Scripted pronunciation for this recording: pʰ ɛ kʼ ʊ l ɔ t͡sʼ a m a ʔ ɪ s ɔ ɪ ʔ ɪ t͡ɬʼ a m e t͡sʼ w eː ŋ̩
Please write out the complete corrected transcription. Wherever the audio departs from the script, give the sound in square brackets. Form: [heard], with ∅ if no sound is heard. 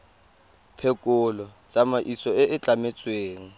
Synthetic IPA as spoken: pʰ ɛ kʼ ʊ l ɔ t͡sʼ a m a ʔ [i] s ɔ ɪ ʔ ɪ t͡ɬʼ a m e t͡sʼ w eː ŋ̩